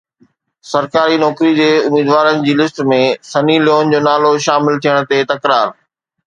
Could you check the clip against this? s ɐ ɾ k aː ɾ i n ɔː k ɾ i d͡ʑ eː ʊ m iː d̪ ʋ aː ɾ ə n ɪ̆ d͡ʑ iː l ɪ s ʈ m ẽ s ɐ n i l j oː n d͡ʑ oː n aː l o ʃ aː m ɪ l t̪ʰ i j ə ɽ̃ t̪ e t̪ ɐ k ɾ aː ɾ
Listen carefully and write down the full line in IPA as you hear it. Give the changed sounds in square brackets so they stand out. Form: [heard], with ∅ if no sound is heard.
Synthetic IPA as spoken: s ɐ ɾ k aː ɾ i n ɔː k ɾ i d͡ʑ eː ʊ m iː d̪ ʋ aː ɾ ə n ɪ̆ d͡ʑ iː l ɪ s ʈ m ẽ s ɐ n i l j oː n d͡ʑ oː n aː l o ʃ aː m ɪ l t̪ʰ i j ə ɽ̃ t̪ e t̪ ɐ k ɾ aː ɾ